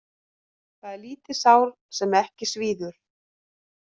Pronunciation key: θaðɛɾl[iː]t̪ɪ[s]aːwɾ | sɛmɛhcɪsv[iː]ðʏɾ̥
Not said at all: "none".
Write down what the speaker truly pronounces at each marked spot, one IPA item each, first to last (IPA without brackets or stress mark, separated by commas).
iː, s, iː